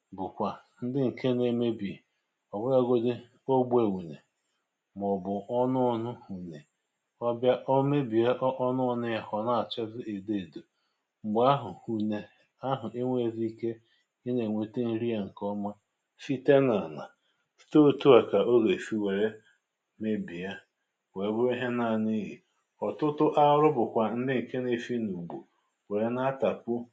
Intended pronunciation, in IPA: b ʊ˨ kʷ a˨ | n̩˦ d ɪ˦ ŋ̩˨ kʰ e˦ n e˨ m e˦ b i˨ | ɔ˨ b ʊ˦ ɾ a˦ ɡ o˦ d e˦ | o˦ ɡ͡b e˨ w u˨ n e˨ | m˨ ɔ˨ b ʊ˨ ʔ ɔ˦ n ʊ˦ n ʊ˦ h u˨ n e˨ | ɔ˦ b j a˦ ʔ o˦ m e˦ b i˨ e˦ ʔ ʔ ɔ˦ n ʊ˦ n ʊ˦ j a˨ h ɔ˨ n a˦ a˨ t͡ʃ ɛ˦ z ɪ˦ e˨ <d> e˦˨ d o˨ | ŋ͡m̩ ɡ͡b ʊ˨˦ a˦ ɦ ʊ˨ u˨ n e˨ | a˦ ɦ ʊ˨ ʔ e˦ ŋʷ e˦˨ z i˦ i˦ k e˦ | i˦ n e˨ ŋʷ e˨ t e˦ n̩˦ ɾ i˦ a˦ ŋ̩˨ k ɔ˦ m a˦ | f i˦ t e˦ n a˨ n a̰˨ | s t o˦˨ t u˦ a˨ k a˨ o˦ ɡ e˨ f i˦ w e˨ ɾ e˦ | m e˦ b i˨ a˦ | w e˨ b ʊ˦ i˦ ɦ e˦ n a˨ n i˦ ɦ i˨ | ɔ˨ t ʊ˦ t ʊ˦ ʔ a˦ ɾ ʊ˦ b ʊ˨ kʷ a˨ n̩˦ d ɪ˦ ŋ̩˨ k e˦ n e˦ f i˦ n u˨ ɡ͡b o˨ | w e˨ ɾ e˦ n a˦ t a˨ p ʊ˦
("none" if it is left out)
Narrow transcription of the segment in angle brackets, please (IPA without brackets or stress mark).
d